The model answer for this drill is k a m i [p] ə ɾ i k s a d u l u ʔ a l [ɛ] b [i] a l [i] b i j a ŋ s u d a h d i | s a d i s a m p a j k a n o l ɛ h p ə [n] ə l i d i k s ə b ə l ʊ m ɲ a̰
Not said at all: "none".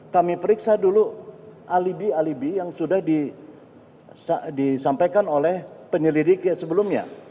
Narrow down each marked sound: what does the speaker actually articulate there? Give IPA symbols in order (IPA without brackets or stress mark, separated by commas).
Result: p, i, i, i, ɲ